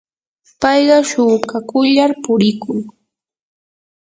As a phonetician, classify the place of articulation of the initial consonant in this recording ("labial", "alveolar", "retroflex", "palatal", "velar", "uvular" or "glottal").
labial